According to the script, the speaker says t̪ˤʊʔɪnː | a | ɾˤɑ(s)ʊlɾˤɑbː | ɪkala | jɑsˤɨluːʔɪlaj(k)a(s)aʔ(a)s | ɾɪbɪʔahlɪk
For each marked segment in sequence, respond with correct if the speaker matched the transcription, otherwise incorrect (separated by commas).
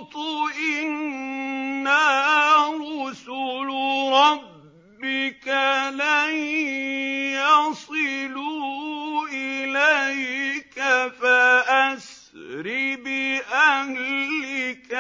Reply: correct, correct, incorrect, correct